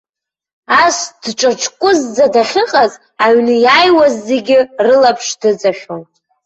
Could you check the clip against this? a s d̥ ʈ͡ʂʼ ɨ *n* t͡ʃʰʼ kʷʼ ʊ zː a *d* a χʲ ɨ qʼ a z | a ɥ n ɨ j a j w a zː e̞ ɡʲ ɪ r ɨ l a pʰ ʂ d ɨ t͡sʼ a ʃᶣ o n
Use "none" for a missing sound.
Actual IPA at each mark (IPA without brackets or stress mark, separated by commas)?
none, d